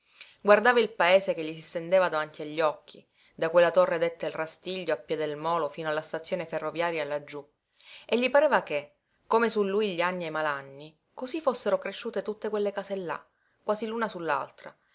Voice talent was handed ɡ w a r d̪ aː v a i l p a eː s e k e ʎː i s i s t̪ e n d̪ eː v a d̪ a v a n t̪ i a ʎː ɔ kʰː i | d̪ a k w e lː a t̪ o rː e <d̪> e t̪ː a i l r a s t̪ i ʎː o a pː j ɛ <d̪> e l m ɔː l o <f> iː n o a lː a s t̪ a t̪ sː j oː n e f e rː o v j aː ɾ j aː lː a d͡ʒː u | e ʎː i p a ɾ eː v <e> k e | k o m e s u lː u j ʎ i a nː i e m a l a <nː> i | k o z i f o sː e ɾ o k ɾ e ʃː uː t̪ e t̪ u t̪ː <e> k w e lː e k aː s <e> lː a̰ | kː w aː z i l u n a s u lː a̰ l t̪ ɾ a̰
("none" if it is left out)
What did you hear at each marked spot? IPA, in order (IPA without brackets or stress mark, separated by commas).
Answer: d̪, d̪, f, a, nː, e, e